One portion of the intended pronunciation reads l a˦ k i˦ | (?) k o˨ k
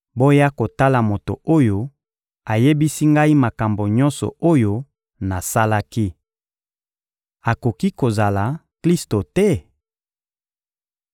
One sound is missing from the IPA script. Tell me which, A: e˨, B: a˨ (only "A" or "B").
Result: B